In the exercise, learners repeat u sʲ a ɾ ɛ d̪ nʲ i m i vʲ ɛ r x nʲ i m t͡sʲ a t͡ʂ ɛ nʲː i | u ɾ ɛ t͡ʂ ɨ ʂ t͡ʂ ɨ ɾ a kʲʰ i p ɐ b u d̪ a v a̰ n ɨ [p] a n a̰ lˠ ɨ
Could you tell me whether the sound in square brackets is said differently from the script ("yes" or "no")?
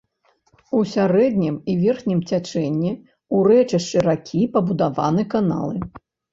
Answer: yes